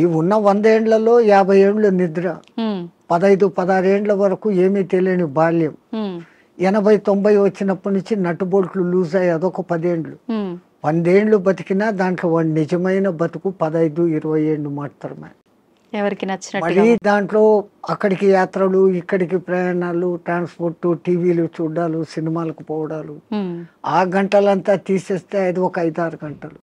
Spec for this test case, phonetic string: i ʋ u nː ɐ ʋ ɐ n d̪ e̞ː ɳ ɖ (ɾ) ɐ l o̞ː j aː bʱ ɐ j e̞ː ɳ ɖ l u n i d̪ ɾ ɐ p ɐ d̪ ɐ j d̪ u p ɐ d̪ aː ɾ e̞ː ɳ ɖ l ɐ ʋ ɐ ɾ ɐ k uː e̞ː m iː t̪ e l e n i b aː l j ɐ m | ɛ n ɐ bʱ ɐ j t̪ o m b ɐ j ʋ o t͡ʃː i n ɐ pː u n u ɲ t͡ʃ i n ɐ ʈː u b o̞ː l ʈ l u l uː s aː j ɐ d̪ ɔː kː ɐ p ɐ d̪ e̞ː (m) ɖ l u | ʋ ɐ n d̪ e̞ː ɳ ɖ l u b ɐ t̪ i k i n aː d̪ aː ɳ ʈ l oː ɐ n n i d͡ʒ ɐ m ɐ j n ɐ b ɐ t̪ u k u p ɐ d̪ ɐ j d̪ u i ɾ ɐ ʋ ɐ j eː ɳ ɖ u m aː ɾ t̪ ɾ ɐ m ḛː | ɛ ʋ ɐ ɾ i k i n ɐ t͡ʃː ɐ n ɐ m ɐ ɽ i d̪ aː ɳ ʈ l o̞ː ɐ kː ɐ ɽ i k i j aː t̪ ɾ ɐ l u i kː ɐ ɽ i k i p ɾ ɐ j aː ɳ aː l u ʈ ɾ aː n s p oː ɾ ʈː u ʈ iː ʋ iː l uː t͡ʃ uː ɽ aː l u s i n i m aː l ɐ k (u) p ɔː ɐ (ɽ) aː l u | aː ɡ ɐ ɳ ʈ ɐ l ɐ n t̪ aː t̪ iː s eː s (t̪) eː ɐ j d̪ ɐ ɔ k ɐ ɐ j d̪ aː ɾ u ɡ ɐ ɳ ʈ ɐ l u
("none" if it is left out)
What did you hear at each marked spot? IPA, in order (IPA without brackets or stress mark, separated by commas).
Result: l, ɳ, u, ɽ, t̪